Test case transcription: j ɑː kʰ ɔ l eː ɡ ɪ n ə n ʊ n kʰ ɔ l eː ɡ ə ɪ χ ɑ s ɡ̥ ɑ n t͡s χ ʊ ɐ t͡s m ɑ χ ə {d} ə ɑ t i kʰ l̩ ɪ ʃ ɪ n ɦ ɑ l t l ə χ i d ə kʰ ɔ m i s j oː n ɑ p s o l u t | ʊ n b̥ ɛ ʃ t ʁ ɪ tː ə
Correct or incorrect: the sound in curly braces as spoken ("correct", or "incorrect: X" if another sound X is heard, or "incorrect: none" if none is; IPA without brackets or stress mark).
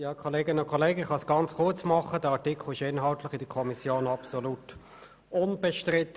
correct